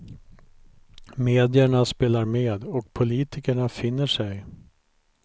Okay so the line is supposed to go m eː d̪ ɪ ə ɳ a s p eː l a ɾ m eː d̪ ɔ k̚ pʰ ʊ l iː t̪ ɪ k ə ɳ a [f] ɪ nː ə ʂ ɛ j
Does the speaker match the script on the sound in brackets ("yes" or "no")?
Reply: yes